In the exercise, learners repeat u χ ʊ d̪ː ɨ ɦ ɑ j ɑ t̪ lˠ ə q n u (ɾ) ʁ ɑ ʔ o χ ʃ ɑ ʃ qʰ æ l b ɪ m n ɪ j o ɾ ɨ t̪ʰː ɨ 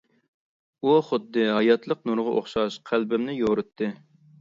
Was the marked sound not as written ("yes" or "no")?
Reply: no